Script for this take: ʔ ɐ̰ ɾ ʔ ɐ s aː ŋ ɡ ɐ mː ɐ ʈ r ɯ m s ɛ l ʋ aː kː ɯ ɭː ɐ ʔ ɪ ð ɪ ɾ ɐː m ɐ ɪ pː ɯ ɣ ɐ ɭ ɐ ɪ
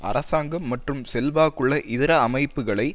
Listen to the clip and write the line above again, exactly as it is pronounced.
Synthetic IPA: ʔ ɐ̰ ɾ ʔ ɐ s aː ŋ ɡ ɐ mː ɐ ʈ r ɯ m s ɛ l ʋ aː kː ɯ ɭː ɐ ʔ ɪ ð ɪ ɾ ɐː m ɐ ɪ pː ɯ ɣ ɐ ɭ ɐ ɪ

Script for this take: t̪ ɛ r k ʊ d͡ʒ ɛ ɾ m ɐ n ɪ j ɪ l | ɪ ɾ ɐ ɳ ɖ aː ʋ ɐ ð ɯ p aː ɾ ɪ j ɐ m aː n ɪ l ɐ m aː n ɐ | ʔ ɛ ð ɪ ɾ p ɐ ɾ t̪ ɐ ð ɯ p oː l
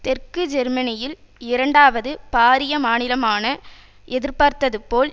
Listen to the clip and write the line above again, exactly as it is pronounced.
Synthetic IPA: t̪ ɛ r k ɯ d͡ʒ ɛ ɾ m ɐ n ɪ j ɪ l | ɪ ɾ ɐ ɳ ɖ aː ʋ ɐ ð ɯ p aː ɾ ɪ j ɐ m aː n ɪ l ɐ m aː n ɐ | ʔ ɛ ð ɪ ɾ p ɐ ɾ t̪ ɐ ð ɯ p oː l

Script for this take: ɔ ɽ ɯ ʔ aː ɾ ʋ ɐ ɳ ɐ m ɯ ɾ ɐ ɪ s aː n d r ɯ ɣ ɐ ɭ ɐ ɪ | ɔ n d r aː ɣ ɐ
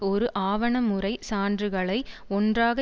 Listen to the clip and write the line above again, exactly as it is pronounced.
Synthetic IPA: ɔ ɾ ɯ ʔ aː ʋ ɐ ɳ ɐ m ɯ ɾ ɐ ɪ s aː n d r ɯ ɣ ɐ ɭ ɐ ɪ | ɔ n d r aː ɣ ɐ

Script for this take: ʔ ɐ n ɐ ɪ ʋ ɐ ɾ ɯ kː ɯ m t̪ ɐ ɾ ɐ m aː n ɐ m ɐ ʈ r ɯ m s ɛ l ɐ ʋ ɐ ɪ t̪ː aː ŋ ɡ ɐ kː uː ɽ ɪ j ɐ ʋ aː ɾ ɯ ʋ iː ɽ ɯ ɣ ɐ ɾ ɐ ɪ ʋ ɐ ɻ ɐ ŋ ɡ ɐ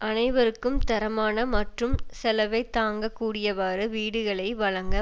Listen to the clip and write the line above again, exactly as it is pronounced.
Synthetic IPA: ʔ ɐ n ɐ ɪ ʋ ɐ ɾ ɯ kː ɯ m t̪ ɐ ɾ ɐ m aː n ɐ m ɐ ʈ r ɯ m s ɛ l ɐ ʋ ɐ ɪ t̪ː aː ŋ ɡ ɐ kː uː ɽ ɪ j ɐ ʋ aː ɾ ɯ ʋ iː ɽ ɯ ɣ ɐ ɭ ɐ ɪ ʋ ɐ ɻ ɐ ŋ ɡ ɐ

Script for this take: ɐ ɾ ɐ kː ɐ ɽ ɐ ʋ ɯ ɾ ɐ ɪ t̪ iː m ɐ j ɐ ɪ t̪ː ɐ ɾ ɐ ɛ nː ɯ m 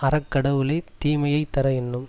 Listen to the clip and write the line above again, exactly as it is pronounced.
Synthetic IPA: ɐ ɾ ɐ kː ɐ ɽ ɐ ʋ ɯ l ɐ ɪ t̪ iː m ɐ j ɐ ɪ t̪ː ɐ ɾ ɐ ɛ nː ɯ m

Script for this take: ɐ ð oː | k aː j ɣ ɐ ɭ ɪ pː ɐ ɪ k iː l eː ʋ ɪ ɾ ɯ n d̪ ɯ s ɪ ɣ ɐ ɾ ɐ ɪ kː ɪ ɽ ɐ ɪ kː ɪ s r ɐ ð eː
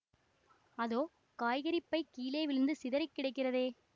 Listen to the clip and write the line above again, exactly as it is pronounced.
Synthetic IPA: ɐ ð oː | k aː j ɣ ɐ ɾ ɪ pː ɐ ɪ k iː l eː ʋ ɪ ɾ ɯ n d̪ ɯ s ɪ ð ɐ ɾ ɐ ɪ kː ɪ ɽ ɐ ɪ kː ɪ r ɐ ð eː

